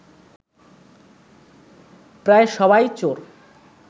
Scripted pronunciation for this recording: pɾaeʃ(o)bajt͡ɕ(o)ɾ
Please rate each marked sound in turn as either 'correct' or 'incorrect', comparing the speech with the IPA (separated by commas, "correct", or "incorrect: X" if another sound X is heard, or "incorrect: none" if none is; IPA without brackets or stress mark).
incorrect: ɔ, correct